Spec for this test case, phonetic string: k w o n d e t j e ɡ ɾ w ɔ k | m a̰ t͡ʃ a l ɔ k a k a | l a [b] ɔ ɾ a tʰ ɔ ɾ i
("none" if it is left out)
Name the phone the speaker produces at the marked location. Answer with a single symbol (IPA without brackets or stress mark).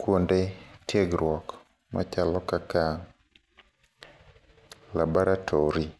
b